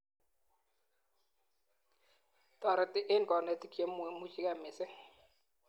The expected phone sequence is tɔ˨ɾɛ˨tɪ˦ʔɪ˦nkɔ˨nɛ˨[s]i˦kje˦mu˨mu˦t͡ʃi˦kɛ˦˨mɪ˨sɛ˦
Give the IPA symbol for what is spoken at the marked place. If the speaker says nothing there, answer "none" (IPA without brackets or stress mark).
t